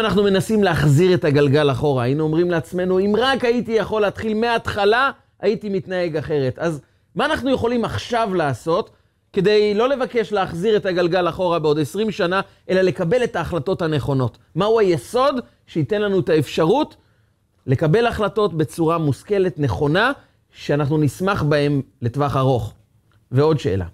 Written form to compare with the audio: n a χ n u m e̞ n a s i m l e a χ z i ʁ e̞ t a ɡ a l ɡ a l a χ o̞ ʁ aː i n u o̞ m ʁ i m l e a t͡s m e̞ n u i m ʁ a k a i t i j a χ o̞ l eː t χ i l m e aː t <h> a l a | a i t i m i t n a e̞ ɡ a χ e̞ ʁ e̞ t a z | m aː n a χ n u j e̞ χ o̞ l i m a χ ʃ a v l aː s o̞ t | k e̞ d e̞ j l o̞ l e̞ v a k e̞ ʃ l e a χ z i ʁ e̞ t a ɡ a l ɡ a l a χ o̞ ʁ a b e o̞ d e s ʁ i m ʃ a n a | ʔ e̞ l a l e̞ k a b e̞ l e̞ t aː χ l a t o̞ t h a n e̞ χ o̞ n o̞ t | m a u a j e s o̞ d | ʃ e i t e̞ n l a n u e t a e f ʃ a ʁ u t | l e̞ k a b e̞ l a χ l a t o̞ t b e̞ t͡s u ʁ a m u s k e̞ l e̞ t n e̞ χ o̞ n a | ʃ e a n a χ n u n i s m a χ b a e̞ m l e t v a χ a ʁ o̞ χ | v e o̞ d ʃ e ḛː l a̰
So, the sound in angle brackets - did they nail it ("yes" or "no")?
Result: no